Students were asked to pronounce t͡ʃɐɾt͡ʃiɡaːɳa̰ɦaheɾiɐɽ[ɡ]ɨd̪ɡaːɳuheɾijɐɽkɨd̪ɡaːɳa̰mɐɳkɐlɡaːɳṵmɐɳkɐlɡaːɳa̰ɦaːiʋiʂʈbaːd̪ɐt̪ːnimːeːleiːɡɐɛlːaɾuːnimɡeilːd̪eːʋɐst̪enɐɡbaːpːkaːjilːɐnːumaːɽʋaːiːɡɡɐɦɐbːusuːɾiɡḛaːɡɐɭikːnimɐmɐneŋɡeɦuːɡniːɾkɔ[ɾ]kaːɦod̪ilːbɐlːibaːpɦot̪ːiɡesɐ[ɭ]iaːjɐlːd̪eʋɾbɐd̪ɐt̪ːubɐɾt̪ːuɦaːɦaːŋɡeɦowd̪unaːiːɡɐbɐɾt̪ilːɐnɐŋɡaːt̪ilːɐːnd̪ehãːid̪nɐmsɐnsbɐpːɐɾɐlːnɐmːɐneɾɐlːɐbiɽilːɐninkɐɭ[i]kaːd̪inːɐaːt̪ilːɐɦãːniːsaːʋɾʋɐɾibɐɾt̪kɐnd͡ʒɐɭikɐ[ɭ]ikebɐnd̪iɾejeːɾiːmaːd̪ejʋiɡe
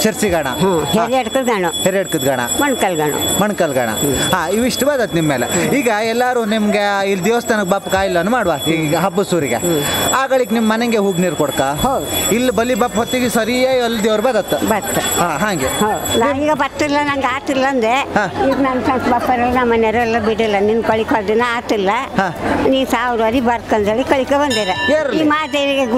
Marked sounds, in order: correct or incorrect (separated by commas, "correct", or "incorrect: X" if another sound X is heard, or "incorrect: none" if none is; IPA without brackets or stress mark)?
incorrect: k, incorrect: ɽ, incorrect: ɾ, correct, correct